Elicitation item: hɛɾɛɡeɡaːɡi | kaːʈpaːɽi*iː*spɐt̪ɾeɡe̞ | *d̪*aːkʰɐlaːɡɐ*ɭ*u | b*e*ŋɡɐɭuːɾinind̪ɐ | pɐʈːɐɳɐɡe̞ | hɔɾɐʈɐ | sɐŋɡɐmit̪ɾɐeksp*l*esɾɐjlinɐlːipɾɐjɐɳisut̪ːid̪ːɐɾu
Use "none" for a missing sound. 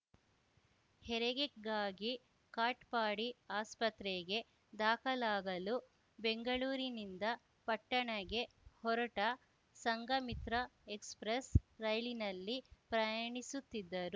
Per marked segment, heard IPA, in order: aː, d̪, l, e, ɾ

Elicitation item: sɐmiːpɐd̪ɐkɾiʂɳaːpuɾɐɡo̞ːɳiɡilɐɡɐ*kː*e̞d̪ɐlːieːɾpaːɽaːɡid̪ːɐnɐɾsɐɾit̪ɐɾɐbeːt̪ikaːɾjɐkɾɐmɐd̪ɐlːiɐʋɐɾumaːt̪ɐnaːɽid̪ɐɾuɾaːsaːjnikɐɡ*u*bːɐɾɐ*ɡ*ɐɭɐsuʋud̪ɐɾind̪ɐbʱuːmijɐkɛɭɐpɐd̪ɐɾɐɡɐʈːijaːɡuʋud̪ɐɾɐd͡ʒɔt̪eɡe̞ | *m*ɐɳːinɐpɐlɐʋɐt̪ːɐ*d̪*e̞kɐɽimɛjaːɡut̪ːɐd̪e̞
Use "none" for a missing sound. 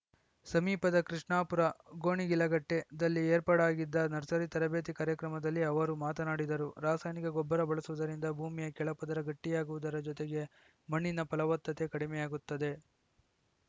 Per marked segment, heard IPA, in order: ʈː, ɔ, b, m, t̪

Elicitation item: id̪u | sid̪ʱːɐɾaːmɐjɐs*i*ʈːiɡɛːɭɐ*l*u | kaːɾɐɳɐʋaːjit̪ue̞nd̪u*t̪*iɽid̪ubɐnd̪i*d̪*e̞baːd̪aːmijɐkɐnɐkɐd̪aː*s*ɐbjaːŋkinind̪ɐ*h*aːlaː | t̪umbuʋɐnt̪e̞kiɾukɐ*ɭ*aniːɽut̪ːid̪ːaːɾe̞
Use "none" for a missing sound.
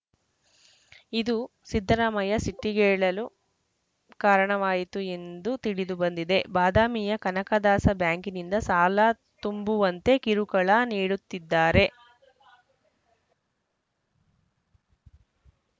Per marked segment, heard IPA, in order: i, l, t̪, d̪, s, s, ɭ

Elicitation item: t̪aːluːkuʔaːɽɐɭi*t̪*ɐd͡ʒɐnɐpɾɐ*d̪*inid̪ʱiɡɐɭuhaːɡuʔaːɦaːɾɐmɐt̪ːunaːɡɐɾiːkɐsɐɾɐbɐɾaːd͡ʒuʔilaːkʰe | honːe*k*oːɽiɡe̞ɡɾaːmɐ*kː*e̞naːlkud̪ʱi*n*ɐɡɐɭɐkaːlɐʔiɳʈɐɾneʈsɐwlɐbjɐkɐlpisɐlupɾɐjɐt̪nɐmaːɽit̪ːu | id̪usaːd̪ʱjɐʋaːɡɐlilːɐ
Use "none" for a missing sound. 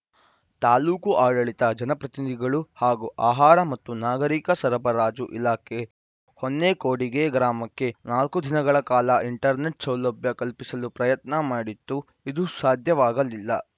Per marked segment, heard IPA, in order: t̪, t̪, k, kː, n

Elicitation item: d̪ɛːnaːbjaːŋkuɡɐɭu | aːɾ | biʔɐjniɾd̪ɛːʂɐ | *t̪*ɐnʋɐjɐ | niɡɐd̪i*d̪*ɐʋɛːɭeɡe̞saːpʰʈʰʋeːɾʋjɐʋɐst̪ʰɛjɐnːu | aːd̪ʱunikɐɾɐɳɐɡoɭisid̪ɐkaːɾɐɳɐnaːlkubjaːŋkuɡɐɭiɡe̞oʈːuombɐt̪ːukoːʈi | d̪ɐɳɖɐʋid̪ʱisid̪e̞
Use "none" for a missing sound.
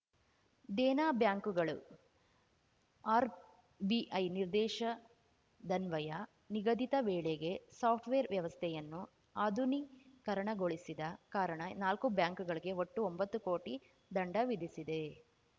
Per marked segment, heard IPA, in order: d̪, t̪

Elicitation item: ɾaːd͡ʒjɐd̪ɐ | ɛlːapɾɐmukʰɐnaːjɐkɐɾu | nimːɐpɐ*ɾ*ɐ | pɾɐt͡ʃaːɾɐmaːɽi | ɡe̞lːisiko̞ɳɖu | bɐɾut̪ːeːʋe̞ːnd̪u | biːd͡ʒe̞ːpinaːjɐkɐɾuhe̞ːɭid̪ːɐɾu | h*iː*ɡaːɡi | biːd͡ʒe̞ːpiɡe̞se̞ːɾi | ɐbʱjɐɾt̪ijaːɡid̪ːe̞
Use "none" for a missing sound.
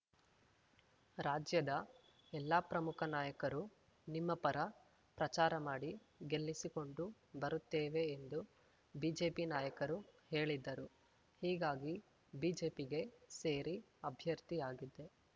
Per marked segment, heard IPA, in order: ɾ, iː

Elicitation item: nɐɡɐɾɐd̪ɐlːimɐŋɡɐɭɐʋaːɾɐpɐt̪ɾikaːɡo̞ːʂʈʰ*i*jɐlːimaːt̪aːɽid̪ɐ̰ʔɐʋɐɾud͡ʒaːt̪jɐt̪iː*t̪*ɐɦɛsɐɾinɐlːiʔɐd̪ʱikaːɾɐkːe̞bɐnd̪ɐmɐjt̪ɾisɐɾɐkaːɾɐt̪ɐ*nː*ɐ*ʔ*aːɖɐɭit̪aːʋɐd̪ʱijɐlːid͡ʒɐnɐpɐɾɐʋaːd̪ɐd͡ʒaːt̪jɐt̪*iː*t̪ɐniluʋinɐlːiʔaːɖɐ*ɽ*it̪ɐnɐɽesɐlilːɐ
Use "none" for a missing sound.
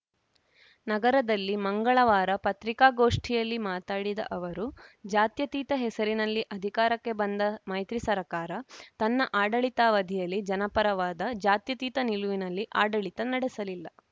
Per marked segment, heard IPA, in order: i, t̪, nː, ʔ, iː, ɭ

